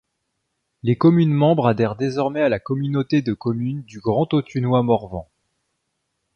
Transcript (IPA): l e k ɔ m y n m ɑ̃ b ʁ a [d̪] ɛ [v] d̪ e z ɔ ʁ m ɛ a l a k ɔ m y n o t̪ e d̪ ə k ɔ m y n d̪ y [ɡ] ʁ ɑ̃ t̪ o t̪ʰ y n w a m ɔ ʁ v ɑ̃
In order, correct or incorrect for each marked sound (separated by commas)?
correct, incorrect, correct